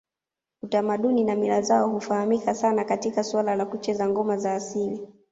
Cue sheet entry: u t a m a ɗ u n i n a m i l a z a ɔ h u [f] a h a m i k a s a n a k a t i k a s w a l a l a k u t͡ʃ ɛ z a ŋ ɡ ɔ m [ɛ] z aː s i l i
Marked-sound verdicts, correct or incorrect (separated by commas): correct, incorrect